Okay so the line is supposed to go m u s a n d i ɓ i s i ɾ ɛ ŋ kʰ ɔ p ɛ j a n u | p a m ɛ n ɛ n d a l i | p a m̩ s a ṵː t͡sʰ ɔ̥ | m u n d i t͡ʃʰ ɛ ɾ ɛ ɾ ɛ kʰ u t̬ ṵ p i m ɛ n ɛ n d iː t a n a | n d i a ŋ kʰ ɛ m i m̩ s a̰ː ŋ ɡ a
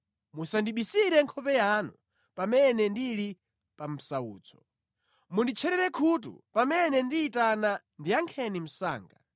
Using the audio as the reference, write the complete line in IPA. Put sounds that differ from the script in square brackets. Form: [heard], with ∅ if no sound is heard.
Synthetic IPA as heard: m u s a n d i ɓ i s i ɾ ɛ ŋ kʰ ɔ p ɛ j a n u | p a m ɛ n ɛ n d [i] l i | p a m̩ s a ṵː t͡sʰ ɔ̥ | m u n d i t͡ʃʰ ɛ ɾ ɛ ɾ ɛ kʰ u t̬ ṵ p [a] m ɛ n ɛ n d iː t a n a | n d i a ŋ kʰ ɛ [n] i m̩ s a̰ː ŋ ɡ a